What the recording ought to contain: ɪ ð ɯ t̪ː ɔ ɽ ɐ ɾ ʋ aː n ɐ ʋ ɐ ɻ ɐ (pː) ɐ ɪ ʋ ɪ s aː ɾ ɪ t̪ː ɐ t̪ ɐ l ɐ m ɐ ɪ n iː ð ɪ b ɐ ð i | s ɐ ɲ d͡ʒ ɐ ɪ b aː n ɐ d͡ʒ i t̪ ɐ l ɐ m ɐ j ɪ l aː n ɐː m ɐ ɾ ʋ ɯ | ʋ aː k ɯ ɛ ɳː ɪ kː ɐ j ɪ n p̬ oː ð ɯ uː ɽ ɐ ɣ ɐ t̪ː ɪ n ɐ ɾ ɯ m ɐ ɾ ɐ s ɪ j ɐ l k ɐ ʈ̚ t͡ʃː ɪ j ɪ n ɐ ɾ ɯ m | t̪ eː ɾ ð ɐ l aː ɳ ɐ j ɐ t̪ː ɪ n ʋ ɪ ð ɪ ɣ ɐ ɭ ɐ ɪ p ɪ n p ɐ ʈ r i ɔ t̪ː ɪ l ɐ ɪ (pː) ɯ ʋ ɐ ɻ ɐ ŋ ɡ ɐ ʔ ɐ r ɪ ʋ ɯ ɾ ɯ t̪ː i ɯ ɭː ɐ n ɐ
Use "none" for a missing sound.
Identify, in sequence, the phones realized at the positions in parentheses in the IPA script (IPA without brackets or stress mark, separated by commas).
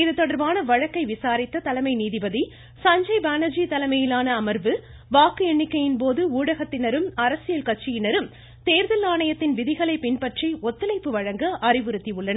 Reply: kː, pː